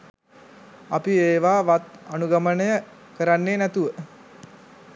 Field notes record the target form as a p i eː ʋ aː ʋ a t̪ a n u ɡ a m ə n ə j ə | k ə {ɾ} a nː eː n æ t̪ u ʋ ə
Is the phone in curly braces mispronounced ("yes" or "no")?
no